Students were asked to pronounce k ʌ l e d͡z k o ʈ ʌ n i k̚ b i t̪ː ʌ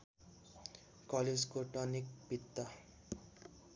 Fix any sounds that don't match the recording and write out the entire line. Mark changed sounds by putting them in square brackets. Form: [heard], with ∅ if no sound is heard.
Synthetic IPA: k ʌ l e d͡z k o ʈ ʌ n i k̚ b i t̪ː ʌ